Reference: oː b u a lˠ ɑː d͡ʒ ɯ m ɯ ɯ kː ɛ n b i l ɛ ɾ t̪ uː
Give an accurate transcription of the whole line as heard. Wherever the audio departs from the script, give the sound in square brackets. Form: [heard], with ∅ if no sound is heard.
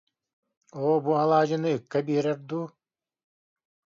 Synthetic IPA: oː b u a lˠ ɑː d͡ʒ ɯ [n] ɯ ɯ kː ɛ [∅] b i [ɾ] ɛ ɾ [d̪] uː